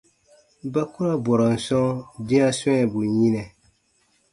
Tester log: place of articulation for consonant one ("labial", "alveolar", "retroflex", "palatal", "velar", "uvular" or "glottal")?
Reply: labial